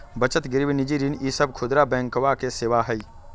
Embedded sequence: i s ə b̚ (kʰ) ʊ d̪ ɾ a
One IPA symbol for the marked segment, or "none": kʰ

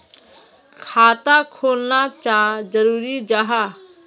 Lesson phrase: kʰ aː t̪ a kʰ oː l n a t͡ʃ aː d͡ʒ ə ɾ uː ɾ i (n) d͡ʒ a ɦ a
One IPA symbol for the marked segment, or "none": none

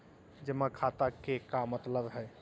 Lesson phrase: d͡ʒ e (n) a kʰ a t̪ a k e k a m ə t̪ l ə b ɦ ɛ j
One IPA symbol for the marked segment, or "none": m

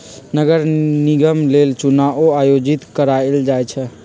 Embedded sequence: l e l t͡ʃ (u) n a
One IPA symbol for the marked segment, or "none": u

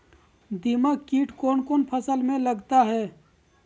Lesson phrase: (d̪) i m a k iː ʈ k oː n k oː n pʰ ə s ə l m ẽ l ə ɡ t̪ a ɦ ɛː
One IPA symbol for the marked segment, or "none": d̪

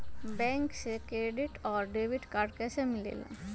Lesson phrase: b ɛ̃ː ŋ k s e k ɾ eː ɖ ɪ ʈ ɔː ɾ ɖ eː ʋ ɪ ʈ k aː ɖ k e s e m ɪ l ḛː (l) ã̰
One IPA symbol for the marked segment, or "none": l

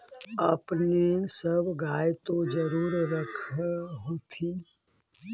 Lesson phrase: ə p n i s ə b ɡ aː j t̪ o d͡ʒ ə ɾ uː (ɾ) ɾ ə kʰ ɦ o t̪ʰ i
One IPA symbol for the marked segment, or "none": ɾ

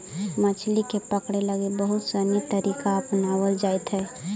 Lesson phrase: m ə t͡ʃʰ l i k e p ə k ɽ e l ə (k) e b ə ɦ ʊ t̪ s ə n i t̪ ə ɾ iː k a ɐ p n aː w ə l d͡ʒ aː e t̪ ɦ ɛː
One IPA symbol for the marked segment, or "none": ɡ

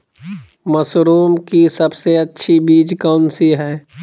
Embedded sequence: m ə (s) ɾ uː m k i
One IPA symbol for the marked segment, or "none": s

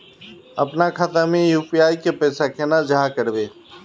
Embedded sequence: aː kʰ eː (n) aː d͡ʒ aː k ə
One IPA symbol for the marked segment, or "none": n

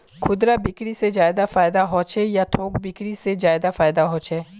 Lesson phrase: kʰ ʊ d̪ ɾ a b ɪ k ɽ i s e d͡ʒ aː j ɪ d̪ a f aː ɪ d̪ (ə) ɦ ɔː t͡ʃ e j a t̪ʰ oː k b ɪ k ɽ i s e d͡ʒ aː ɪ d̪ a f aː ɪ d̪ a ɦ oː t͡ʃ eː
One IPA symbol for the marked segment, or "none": a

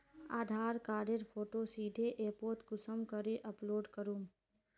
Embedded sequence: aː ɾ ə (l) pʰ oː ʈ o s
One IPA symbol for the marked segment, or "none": ɾ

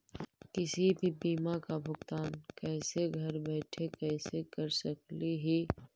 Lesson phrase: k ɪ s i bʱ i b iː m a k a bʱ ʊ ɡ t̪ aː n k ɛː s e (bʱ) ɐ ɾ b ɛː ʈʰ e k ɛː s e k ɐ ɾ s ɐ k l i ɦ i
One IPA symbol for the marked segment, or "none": ɡʱ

